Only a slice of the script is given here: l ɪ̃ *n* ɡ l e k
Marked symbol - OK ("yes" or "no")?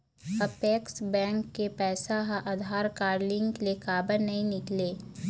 no